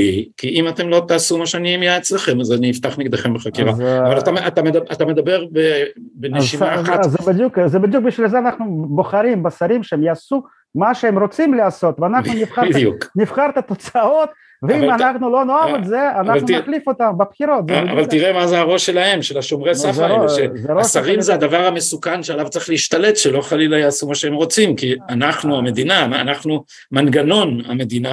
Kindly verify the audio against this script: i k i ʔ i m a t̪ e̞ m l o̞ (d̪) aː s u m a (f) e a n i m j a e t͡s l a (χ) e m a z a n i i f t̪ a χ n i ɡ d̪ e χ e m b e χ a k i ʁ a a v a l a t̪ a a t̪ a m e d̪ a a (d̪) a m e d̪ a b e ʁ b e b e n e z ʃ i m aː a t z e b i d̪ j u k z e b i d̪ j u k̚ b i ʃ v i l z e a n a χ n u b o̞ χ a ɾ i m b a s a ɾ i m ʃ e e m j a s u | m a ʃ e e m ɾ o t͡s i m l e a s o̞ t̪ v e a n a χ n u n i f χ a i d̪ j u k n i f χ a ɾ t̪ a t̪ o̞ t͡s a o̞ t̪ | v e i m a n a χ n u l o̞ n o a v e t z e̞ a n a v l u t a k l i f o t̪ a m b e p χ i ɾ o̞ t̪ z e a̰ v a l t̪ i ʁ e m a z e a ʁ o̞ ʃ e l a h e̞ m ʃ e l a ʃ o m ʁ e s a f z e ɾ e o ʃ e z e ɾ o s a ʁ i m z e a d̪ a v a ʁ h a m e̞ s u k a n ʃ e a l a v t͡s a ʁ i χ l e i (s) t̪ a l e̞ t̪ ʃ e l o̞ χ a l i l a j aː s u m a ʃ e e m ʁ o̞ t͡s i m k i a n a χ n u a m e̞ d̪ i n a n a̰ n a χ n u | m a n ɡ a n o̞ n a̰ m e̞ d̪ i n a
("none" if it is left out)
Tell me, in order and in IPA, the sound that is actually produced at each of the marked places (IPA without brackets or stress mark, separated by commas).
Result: t̪, ʃ, χ, t̪, ʃ